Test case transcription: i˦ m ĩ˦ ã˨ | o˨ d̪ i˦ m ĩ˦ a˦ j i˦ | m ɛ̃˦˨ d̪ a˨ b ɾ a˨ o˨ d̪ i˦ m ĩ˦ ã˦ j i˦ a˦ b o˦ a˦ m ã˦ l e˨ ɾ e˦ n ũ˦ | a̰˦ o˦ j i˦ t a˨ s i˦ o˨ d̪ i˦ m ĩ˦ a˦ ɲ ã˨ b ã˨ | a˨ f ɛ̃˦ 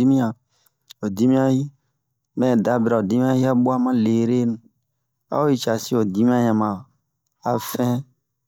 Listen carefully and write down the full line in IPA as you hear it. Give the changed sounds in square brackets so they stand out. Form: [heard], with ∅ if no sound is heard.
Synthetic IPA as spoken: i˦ m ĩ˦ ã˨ | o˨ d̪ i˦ m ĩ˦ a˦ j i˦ | m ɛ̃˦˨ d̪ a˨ b ɾ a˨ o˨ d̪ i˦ m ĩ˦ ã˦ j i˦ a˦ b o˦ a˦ m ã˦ l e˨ ɾ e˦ n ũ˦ | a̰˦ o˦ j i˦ [t͡ʃ] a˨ s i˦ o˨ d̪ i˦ m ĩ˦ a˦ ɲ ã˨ [m] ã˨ | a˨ f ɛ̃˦

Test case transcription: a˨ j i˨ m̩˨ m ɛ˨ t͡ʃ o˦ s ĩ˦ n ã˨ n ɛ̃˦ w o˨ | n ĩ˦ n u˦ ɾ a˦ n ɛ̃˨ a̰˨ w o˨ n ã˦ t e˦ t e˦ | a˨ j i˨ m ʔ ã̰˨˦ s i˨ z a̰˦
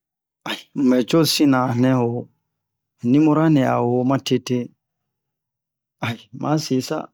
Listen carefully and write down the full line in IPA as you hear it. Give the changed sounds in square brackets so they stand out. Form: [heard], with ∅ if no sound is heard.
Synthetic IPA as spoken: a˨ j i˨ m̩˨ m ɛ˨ t͡ʃ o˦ s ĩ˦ n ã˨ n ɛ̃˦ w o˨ | n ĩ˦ [m] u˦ ɾ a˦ n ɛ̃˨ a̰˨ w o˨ [m] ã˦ t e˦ t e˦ | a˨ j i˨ m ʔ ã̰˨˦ s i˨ [s] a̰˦

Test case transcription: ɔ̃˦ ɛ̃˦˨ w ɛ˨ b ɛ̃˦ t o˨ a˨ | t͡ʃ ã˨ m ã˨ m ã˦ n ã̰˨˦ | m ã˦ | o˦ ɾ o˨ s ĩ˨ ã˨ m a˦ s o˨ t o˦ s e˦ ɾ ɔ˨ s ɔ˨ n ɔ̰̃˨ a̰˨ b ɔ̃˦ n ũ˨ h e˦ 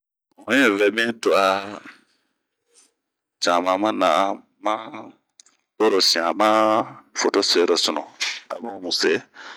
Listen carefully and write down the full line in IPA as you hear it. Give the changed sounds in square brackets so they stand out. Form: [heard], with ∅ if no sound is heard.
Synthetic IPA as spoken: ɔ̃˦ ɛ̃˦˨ [v] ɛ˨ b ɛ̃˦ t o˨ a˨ | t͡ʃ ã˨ m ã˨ m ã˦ n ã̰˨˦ | m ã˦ | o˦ ɾ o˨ s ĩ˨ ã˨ m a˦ [f] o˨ t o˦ s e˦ ɾ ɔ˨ s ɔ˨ n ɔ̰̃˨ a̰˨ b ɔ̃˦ [m] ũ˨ [s] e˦

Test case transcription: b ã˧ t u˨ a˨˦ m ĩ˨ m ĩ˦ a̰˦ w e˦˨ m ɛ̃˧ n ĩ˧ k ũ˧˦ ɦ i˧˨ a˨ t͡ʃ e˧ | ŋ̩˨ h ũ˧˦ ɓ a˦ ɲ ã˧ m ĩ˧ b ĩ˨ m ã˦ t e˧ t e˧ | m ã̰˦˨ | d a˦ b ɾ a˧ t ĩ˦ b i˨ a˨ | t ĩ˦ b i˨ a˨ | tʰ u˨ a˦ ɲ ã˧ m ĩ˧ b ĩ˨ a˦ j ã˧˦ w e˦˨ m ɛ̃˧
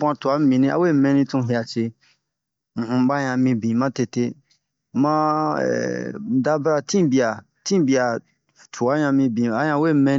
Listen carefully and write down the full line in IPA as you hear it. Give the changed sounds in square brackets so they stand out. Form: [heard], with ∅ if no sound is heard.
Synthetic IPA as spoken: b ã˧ t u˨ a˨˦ m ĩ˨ [n] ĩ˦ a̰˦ w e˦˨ m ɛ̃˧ n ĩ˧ [t] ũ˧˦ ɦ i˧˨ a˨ t͡ʃ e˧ | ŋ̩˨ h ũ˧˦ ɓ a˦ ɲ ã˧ m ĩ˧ b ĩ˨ m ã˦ t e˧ t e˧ | m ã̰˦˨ | d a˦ b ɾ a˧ t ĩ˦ b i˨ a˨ | t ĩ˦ b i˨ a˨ | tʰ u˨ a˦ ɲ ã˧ m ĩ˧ b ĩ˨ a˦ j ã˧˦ w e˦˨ m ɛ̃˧

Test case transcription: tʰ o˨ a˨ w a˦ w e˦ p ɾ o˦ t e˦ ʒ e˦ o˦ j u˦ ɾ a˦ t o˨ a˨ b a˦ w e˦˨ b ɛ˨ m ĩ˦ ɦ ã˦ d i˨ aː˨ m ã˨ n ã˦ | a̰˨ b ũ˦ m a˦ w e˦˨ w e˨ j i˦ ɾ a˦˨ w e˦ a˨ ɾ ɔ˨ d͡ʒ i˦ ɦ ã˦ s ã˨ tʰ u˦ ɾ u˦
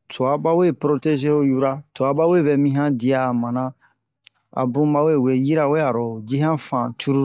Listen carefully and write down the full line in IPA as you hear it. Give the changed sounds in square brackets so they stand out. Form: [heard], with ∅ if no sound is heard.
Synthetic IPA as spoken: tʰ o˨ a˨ [b] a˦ w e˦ p ɾ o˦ t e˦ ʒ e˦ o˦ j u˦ ɾ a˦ t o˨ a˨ b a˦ w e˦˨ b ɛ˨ m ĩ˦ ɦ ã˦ d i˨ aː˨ m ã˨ n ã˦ | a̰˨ b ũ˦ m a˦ w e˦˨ w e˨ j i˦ ɾ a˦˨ w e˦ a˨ ɾ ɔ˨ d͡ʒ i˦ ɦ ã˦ [f] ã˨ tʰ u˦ ɾ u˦

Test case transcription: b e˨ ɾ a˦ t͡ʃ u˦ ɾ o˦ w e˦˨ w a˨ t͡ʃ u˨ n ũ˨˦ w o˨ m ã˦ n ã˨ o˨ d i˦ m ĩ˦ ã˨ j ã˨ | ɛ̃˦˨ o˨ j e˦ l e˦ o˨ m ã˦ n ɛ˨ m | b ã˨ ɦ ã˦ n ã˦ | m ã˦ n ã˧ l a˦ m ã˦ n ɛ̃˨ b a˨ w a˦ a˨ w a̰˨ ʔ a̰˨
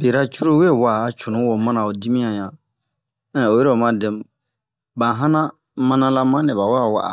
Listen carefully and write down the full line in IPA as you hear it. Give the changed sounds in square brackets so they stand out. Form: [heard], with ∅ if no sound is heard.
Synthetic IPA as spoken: b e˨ ɾ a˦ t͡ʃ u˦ ɾ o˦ w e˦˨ w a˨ t͡ʃ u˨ n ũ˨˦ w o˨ m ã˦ n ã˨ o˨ d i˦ m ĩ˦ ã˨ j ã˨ | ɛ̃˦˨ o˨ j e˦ [ɾ] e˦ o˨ m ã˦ [d] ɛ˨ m | b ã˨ ɦ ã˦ n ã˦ | m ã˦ n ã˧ l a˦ m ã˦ n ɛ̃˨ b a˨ w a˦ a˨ w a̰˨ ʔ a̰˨

